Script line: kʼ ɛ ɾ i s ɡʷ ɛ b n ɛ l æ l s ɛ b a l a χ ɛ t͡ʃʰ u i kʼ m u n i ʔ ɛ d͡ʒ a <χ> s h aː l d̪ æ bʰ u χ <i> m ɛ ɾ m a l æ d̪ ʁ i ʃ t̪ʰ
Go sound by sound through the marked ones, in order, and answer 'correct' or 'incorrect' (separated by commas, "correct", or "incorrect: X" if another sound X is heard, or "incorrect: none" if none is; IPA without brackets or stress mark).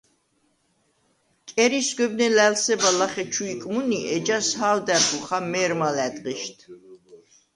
incorrect: none, incorrect: a